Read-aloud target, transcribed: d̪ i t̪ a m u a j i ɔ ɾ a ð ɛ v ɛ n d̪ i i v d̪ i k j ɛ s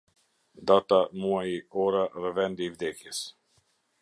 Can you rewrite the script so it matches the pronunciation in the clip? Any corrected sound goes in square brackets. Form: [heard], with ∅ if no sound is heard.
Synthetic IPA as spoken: d̪ [a] t̪ a m u a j i ɔ ɾ a ð ɛ v ɛ n d̪ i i v d̪ [ɛ] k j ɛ s

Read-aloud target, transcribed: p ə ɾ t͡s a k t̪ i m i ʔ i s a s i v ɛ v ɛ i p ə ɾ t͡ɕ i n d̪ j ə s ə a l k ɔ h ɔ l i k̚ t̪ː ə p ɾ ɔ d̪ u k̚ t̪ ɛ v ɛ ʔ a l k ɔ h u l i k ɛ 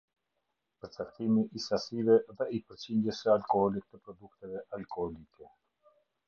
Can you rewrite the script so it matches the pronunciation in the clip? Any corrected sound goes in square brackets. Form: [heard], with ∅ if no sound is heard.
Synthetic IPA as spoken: p ə ɾ t͡s a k t̪ i m i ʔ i s a s i v ɛ [ð] ɛ i p ə ɾ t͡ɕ i n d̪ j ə s ə a l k ɔ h ɔ l i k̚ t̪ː ə p ɾ ɔ d̪ u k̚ t̪ ɛ v ɛ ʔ a l k ɔ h [ɔ] l i k ɛ

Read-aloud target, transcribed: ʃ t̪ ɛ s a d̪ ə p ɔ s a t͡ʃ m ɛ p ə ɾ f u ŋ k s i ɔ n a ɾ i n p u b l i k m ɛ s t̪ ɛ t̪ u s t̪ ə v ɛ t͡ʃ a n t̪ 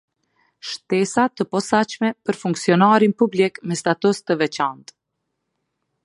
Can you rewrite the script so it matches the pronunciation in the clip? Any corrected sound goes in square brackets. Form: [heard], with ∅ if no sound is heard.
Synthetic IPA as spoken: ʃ t̪ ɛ s a [t̪] ə p ɔ s a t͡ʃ m ɛ p ə ɾ f u ŋ k s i ɔ n a ɾ i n p u b l i k m ɛ s t̪ [a] t̪ u s t̪ ə v ɛ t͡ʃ a n t̪

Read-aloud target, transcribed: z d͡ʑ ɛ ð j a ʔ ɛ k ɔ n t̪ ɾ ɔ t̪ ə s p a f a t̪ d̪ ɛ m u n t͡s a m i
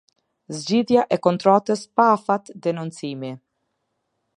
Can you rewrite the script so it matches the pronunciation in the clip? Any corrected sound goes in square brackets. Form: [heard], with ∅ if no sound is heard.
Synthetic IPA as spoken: z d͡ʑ [i] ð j a ʔ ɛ k ɔ n t̪ ɾ ɔ t̪ ə s p a f a t̪ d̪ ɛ [n] u n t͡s [i] m i

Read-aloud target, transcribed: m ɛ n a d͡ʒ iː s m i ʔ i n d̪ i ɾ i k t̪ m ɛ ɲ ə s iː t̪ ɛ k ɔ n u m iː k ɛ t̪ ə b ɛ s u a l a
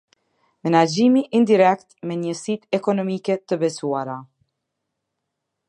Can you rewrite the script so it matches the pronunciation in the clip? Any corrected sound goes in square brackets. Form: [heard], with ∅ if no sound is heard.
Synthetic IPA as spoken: m ɛ n a d͡ʒ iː [∅] m i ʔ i n d̪ i ɾ [ɛ] k t̪ m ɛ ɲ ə s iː t̪ ɛ k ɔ n [ɔ] m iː k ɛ t̪ ə b ɛ s u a [ɾ] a

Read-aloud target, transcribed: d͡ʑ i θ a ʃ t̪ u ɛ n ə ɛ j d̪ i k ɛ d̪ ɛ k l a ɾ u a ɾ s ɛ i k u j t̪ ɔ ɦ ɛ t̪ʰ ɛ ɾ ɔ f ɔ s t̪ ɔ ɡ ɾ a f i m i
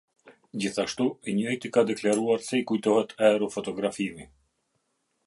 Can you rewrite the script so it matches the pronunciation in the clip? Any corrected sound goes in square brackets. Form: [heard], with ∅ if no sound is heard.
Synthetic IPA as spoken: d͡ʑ i θ a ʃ t̪ u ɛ [ɲ] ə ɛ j [t̪] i k [a] d̪ ɛ k l a ɾ u a ɾ s ɛ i k u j t̪ ɔ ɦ ɛ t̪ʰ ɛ ɾ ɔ f ɔ [∅] t̪ ɔ ɡ ɾ a f i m i

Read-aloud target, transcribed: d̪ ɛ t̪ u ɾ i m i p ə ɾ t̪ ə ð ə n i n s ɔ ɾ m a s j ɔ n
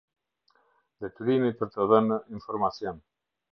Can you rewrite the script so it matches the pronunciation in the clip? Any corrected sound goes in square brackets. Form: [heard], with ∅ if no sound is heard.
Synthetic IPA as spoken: d̪ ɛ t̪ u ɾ i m i p ə ɾ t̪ ə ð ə n i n [f] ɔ ɾ m a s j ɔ n

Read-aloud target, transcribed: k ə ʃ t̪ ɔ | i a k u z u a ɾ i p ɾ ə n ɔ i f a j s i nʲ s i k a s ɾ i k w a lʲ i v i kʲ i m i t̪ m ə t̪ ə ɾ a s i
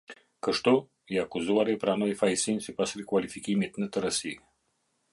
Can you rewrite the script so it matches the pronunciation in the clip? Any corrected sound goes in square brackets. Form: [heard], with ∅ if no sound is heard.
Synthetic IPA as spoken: k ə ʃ t̪ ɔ | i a k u z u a ɾ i p ɾ [a] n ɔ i f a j s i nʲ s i [p] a s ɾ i k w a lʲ i [f] i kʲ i m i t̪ [n] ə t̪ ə ɾ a s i

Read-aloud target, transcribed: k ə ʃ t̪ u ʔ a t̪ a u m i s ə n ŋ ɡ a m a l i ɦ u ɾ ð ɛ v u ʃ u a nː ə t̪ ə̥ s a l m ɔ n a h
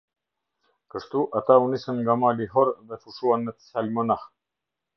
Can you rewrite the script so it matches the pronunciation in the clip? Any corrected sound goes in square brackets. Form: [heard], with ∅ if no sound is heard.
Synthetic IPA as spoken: k ə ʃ t̪ u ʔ a t̪ a u [n] i s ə n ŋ ɡ a m a l i ɦ [ɔ] ɾ ð ɛ [f] u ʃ u a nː ə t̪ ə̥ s a l m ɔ n a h

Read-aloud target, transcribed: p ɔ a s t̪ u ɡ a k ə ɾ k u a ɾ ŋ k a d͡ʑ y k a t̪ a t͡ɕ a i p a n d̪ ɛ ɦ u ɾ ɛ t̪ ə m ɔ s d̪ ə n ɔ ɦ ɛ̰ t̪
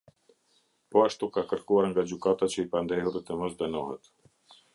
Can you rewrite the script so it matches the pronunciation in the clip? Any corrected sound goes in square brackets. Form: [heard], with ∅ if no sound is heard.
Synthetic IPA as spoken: p ɔ a [ʃ] t̪ u [k] a k ə ɾ k u a ɾ ŋ [ɡ] a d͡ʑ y k a t̪ a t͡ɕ [ə] i p a n d̪ ɛ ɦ u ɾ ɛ t̪ ə m ɔ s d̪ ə n ɔ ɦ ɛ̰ t̪

